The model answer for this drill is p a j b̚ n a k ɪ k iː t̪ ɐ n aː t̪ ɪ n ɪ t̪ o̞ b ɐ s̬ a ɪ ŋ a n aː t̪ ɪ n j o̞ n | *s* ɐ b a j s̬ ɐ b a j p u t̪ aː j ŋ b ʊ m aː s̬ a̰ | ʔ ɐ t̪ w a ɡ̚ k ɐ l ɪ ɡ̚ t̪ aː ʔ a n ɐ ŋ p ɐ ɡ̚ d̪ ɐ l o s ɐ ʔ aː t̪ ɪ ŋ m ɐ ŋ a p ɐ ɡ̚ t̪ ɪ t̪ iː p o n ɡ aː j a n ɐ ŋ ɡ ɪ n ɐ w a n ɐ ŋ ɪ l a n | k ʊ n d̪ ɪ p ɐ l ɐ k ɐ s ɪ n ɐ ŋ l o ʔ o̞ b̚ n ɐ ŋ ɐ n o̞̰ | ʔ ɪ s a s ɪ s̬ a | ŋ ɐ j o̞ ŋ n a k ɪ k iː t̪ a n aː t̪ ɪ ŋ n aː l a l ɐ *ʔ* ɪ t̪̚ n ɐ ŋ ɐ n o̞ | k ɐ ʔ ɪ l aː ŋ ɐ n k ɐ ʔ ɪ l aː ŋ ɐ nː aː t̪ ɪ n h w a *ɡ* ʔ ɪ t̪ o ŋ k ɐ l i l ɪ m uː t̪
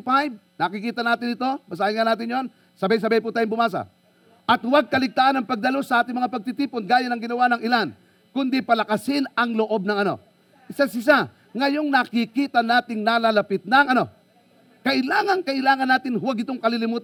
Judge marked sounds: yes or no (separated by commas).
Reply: yes, no, yes